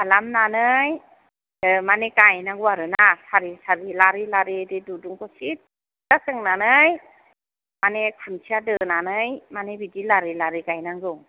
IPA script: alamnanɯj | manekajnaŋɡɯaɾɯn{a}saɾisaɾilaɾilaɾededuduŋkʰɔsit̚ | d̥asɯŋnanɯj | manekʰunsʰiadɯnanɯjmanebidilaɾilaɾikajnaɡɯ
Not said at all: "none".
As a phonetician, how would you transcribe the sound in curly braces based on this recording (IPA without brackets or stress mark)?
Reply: a